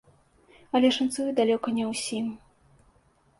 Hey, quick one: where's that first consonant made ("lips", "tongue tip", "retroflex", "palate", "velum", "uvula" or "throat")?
tongue tip